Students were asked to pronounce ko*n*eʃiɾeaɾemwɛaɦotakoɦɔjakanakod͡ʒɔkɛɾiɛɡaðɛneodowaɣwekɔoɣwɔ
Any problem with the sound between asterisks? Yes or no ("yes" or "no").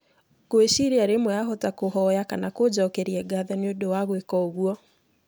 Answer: yes